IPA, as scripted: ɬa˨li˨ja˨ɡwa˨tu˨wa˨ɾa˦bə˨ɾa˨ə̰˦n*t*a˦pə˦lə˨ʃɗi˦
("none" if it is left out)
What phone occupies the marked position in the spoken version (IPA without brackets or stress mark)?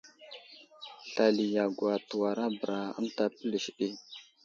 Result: t